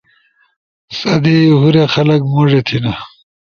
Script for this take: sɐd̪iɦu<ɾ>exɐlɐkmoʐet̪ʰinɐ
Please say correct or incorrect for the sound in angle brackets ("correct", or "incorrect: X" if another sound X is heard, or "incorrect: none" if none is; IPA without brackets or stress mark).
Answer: correct